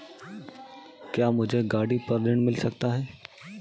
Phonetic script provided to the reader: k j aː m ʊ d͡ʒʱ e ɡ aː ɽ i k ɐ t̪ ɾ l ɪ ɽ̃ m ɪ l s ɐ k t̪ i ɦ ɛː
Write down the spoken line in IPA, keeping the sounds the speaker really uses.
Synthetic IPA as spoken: k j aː m ʊ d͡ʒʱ e ɡ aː ɽ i p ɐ ɾ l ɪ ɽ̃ m ɪ l s ɐ k t̪ a ɦ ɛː